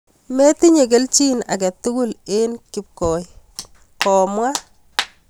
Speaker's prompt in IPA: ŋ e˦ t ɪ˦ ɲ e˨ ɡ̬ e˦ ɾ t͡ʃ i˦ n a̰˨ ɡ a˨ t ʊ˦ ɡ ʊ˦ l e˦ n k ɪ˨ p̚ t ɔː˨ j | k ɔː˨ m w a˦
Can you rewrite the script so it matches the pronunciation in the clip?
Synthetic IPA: m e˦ t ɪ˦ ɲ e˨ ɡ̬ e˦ l t͡ʃ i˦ n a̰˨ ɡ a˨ t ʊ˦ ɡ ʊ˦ l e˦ n k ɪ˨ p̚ k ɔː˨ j | k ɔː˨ m w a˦